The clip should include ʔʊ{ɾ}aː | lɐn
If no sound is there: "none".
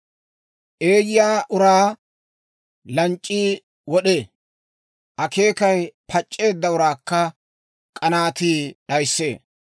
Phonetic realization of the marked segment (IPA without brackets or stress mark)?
ɾ